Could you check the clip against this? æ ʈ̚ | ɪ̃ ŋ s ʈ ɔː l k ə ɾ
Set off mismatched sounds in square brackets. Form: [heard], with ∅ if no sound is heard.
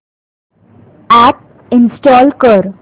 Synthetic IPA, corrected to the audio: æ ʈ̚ | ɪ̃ [n] s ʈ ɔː l k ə ɾ